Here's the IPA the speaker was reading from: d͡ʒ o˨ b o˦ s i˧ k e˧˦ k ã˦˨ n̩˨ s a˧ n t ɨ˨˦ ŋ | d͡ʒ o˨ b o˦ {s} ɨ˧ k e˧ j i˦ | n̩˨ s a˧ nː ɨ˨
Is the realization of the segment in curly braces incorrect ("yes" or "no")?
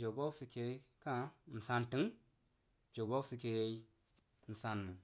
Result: no